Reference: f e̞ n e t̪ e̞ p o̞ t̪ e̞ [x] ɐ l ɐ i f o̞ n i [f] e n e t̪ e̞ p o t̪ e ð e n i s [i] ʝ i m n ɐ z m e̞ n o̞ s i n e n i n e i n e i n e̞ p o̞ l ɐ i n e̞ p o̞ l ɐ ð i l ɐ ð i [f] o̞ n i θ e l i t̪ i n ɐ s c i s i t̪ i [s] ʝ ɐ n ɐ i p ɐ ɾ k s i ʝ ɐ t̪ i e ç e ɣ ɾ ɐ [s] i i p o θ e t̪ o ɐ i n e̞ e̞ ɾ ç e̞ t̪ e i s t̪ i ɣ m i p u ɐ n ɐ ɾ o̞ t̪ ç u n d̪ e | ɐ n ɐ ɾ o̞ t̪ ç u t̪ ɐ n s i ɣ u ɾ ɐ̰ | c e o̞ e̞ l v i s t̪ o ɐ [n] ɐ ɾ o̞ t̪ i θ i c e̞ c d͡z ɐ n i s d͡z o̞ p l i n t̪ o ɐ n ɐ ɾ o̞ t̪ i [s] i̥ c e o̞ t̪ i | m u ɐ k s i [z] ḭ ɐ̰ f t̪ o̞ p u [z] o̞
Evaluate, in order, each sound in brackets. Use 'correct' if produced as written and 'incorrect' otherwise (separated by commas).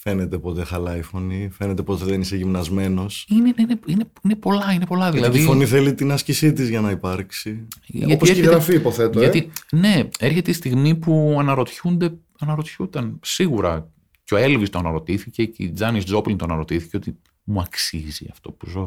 correct, correct, incorrect, correct, incorrect, incorrect, correct, incorrect, correct, correct